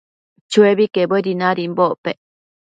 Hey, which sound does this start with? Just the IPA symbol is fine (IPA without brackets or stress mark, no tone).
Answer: t͡ʃ